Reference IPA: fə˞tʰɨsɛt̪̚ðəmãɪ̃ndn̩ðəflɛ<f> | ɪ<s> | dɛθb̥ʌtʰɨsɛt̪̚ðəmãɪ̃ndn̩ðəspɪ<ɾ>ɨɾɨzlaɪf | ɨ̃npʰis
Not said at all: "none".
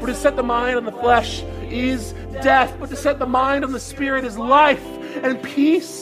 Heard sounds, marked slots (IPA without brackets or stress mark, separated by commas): ʃ, z, ɹ